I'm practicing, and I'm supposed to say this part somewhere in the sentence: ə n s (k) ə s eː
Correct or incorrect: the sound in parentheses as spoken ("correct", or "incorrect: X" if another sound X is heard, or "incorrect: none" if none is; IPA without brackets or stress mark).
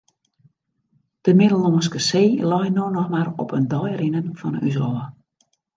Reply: correct